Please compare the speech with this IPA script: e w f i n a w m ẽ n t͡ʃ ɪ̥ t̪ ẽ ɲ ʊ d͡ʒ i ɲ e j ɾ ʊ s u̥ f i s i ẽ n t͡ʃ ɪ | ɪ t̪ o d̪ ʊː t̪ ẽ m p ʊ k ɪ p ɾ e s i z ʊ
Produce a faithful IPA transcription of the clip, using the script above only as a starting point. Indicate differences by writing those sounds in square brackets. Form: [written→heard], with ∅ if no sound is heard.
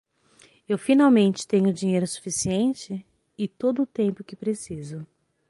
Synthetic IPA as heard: e w f i n a w m ẽ n t͡ʃ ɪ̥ t̪ ẽ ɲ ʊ d͡ʒ i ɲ e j ɾ ʊ s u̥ f i s i ẽ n t͡ʃ ɪ | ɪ t̪ o d̪ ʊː t̪ ẽ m p ʊ k ɪ p ɾ e s i z ʊ